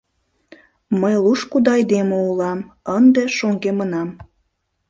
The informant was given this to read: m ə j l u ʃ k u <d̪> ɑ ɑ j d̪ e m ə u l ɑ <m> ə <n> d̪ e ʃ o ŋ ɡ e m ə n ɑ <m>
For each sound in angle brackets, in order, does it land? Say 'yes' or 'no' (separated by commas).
yes, yes, yes, yes